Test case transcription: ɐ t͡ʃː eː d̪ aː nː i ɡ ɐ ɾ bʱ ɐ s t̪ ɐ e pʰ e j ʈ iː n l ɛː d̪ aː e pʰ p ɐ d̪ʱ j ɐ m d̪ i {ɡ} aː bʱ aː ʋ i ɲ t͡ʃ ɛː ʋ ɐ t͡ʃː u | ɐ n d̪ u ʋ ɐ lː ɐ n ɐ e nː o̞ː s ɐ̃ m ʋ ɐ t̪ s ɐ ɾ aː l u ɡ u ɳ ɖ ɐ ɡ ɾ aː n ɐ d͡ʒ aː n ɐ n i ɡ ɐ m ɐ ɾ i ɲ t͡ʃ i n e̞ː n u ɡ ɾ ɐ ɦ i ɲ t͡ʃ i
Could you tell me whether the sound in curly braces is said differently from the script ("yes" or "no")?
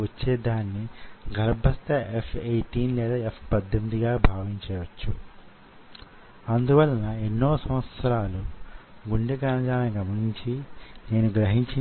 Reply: no